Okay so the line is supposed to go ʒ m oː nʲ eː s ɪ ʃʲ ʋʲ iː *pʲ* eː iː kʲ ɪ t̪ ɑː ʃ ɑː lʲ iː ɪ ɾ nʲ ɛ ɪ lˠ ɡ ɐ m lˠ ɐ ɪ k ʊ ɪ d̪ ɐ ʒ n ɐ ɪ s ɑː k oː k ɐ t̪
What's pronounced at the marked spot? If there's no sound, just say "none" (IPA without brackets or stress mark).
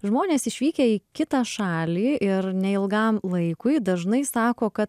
kʲ